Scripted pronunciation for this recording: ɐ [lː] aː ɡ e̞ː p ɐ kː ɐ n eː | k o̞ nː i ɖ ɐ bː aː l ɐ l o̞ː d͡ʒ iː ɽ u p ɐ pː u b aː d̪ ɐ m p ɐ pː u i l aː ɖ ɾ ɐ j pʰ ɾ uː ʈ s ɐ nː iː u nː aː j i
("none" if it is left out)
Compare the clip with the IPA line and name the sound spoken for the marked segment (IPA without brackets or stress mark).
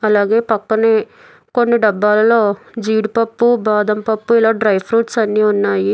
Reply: l